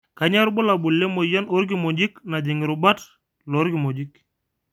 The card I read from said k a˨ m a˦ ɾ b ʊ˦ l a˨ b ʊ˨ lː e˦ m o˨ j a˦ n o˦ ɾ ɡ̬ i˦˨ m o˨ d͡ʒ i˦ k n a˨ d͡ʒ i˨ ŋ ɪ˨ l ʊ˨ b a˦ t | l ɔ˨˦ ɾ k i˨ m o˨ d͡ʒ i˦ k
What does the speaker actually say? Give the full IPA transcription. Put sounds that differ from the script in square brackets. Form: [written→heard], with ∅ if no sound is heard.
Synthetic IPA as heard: k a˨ [m→ɲ] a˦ ɾ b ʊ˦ l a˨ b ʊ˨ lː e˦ m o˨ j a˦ n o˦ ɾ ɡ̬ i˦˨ m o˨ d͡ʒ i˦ k n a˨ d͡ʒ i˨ ŋ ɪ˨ [l→ɾ] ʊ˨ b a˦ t | l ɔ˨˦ ɾ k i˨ m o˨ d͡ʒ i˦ k